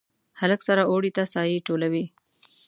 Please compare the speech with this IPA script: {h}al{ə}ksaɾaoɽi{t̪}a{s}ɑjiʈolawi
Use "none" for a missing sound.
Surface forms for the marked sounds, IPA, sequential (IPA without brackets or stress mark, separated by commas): h, ə, t̪, s